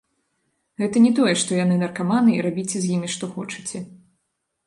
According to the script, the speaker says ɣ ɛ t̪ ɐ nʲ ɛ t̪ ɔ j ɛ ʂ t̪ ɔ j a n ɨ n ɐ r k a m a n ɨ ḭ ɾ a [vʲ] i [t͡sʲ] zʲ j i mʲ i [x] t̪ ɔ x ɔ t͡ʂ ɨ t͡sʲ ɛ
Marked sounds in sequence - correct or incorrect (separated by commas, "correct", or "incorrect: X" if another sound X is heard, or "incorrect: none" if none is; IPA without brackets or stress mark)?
incorrect: bʲ, correct, incorrect: ʂ